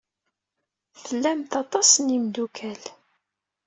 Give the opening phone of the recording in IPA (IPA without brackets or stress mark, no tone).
θ